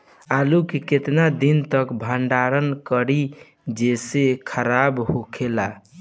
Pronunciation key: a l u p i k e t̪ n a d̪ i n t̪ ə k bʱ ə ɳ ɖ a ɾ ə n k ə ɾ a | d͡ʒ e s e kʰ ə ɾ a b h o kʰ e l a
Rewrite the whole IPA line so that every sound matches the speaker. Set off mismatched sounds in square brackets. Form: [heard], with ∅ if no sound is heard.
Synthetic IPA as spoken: a l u [k] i k e t̪ n a d̪ i n t̪ ə k bʱ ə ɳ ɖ a ɾ ə n k ə ɾ [i] | d͡ʒ e s e kʰ ə ɾ a b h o kʰ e l a